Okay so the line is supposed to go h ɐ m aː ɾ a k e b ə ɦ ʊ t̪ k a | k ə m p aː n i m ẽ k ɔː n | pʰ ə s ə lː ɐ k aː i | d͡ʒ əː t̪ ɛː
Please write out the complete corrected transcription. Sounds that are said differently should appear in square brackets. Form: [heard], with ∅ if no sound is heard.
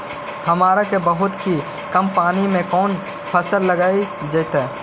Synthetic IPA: h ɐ m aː ɾ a k e b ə ɦ ʊ t̪ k [i] | k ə m p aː n i m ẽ k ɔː n | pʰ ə s ə lː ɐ [ɡ] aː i | d͡ʒ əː t̪ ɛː